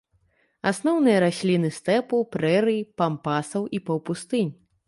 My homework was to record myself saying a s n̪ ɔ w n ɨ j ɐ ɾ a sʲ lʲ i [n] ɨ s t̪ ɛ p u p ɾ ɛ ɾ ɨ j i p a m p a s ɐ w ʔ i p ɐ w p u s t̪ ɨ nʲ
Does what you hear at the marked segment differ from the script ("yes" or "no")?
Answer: no